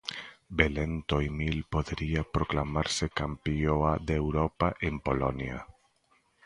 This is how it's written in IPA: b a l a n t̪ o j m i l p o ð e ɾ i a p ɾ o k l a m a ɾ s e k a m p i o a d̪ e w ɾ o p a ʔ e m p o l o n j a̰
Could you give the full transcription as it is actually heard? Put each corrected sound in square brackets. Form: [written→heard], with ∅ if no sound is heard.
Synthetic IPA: b [a→e] l [a→e] n t̪ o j m i l p o ð e ɾ i a p ɾ o k l a m a ɾ s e k a m p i o a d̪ e w ɾ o p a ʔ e m p o l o n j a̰